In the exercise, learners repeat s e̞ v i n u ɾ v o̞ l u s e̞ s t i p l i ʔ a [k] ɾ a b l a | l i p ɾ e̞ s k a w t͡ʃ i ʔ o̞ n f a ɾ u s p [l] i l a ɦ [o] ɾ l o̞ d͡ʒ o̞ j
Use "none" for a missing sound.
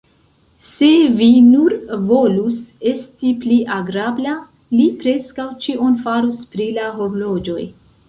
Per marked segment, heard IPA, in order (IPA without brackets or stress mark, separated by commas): ɡ, ɾ, o